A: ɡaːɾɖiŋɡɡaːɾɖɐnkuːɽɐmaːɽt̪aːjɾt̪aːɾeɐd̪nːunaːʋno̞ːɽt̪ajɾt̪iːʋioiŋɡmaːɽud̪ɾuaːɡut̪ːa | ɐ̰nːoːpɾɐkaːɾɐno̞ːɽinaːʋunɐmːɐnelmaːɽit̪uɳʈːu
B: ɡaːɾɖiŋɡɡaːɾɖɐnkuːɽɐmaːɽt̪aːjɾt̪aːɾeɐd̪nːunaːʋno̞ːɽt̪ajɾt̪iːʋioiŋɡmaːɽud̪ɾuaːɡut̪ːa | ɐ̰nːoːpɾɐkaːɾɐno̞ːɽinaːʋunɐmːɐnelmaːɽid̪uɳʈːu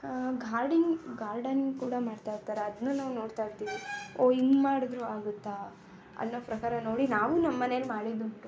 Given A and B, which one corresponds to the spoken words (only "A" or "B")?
B